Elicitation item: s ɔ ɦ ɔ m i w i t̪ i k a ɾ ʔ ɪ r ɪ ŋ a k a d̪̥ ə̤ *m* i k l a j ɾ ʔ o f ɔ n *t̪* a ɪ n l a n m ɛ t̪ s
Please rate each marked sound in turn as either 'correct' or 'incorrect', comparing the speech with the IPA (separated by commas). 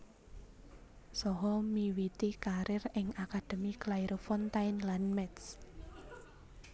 correct, correct